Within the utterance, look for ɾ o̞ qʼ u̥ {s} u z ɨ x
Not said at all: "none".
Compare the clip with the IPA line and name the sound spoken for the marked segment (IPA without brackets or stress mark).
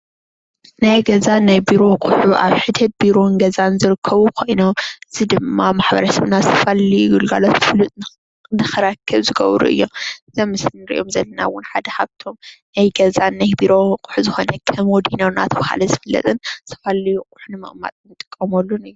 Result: ħ